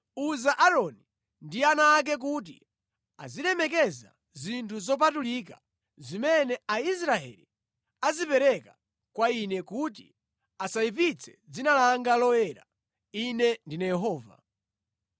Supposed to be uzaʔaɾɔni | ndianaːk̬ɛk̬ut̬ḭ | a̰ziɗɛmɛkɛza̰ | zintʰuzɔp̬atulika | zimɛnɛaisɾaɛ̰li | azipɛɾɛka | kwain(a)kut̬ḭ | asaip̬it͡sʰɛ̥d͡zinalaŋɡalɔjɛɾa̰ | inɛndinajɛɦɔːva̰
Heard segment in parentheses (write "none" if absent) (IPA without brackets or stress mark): ɛ